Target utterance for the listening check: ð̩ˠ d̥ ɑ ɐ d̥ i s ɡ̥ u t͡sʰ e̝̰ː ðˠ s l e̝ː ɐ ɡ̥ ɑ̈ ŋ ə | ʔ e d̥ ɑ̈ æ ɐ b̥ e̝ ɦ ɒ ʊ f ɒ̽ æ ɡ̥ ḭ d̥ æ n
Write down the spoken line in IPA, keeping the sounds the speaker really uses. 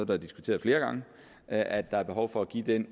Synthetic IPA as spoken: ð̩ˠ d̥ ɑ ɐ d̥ i s ɡ̥ u t͡sʰ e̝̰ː ðˠ f l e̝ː ɐ ɡ̥ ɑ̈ ŋ ə | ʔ æ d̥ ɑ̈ æ ɐ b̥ e̝ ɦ ɒ ʊ f ɒ̽ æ ɡ̥ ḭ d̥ e n